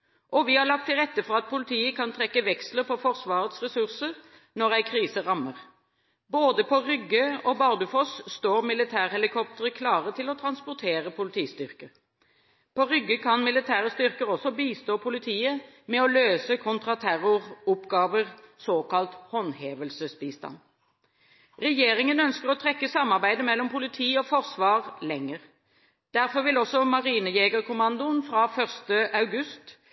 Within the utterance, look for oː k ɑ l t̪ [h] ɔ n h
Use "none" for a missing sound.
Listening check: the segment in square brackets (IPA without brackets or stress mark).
h